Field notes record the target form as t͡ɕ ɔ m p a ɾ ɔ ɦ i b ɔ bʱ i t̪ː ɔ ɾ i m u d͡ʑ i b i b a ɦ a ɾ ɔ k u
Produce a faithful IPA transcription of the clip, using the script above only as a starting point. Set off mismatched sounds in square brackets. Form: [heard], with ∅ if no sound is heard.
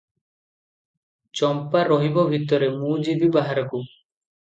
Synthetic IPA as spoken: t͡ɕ ɔ m p a ɾ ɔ ɦ i b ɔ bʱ i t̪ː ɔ ɾ [e] m u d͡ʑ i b i b a ɦ a ɾ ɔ k u